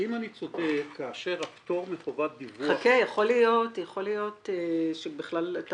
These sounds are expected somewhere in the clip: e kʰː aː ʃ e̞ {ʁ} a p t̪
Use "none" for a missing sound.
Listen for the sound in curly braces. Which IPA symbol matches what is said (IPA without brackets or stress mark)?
ʁ